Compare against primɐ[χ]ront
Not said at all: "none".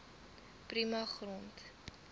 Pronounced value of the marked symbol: χ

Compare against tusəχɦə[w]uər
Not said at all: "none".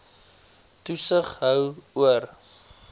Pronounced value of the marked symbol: w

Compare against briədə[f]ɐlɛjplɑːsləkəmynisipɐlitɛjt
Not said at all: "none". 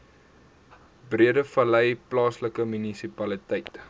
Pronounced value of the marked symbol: f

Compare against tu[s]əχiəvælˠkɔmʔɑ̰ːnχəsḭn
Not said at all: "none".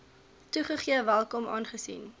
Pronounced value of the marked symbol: χ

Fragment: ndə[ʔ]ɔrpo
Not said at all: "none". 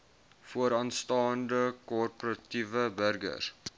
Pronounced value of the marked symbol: k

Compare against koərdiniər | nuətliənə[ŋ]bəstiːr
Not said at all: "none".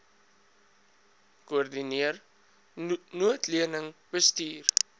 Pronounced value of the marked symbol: ŋ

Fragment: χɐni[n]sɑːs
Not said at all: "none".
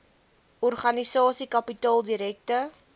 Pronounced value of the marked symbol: none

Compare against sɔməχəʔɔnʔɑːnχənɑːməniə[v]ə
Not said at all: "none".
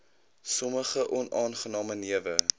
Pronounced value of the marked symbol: v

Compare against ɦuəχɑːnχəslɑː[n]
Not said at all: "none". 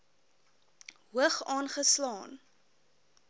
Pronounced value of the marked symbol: n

